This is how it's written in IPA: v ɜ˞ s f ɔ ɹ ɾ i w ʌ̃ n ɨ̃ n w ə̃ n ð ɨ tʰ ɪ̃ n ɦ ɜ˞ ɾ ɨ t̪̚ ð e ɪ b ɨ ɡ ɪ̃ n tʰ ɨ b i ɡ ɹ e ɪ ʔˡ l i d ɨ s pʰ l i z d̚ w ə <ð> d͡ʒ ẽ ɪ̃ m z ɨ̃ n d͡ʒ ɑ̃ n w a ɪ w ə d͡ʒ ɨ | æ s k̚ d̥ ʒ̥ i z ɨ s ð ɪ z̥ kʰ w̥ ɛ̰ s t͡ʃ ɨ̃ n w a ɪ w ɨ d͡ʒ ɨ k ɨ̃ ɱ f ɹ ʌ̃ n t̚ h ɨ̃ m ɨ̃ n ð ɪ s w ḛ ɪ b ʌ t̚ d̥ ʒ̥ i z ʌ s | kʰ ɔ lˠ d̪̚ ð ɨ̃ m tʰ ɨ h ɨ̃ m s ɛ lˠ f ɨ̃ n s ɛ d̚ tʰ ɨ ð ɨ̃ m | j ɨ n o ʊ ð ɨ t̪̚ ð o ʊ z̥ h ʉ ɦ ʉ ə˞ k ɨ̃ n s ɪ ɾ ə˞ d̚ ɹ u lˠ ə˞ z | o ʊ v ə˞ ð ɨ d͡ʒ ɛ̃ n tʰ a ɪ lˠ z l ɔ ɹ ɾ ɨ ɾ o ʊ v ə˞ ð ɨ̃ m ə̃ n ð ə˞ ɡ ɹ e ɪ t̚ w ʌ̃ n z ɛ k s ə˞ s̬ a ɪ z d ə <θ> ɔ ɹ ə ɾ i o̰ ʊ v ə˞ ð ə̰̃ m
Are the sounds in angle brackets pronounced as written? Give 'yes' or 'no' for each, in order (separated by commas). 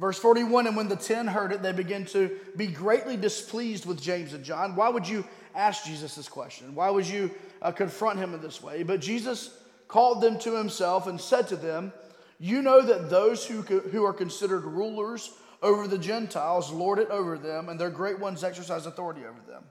yes, yes